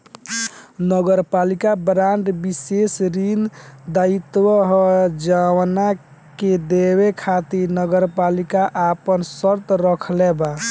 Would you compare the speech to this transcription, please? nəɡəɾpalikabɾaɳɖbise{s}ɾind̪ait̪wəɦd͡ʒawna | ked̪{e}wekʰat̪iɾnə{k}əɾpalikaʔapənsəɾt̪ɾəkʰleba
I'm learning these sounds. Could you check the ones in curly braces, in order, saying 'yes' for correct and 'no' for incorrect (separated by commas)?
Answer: yes, yes, no